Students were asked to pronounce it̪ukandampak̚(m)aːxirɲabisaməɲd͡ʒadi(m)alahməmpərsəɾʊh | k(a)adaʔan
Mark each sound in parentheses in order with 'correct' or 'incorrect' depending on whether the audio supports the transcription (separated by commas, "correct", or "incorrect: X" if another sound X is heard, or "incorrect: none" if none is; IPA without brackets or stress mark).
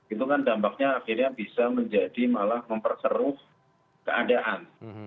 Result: incorrect: ɲ, correct, incorrect: ə